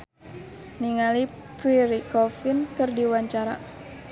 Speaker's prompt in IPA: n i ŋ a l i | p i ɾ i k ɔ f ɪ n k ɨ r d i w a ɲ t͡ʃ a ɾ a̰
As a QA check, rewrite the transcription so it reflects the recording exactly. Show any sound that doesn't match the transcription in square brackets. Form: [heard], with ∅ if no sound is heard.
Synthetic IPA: n i ŋ a l i | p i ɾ i k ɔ f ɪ n k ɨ r d i w a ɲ t͡ʃ a ɾ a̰

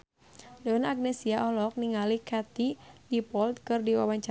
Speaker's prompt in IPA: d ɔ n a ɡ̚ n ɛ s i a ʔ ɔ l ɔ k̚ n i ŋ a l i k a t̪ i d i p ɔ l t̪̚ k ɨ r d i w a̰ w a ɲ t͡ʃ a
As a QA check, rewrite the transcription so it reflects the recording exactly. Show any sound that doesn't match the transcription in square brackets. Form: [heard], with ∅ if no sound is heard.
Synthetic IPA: d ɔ n a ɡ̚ n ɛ s i a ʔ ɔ l ɔ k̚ n i ŋ a l i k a t̪ i d i p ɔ l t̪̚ k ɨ r d i w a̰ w a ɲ t͡ʃ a

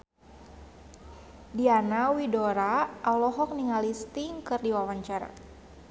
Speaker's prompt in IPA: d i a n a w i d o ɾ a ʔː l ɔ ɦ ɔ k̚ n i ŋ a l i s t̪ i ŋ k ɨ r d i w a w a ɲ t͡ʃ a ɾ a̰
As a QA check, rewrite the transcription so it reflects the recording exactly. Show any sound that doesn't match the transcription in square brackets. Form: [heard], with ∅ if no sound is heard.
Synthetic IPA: d i a n a w i d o ɾ a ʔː l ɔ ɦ ɔ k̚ n i ŋ a l i s t̪ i ŋ k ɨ r d i w a w a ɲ t͡ʃ a ɾ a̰

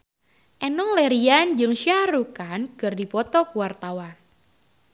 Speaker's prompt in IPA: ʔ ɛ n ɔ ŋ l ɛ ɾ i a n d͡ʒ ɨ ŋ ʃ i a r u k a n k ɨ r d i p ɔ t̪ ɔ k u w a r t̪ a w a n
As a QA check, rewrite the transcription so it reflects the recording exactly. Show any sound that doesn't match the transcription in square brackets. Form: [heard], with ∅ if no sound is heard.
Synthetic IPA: ʔ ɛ n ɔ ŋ l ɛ ɾ i a n d͡ʒ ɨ ŋ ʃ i a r u k a n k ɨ r d i p ɔ t̪ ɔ k u w a r t̪ a w a n

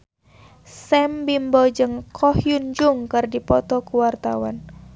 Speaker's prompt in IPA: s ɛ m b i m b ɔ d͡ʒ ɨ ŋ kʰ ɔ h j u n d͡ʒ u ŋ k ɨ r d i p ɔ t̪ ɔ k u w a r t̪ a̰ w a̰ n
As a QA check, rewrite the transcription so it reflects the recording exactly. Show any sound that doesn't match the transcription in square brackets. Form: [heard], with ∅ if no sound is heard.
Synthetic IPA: s ɛ m b i m b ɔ d͡ʒ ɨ ŋ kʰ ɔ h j u n d͡ʒ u ŋ k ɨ r d i p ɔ t̪ ɔ k u w a r t̪ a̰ w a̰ n

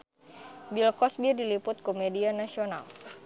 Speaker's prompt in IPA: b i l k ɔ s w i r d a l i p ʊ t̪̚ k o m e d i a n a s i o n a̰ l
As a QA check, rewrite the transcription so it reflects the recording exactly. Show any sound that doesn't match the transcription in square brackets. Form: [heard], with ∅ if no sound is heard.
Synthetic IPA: b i l k ɔ s [b] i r d [i] l i p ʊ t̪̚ k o m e d i a n a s i o n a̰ l

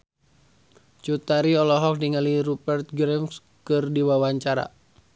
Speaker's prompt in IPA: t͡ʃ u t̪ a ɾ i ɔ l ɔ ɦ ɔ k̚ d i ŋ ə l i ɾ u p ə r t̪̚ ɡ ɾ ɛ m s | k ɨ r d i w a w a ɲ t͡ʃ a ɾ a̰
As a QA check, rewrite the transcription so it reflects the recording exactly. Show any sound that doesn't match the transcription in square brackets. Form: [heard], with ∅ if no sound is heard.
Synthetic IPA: t͡ʃ u t̪ a ɾ i ɔ l ɔ ɦ ɔ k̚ d i ŋ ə l i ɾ u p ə r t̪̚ ɡ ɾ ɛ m s | k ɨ r d i w a w a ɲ t͡ʃ a ɾ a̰

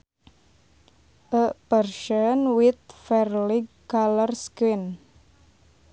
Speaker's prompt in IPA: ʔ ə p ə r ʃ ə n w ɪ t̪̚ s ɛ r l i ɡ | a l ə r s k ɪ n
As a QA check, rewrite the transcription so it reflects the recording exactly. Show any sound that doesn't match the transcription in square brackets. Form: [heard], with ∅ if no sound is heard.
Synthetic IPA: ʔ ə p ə r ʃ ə n w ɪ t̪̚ [f] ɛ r l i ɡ | a l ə r s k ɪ n

